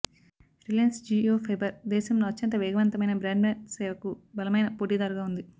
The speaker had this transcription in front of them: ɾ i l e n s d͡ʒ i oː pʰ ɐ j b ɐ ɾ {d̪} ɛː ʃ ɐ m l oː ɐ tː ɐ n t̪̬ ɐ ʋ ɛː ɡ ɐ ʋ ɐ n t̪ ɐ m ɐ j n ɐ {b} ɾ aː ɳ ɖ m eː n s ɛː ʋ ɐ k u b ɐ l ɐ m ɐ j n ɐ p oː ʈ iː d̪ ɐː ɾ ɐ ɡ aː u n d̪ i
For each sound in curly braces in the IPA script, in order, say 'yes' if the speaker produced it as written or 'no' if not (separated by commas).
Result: yes, yes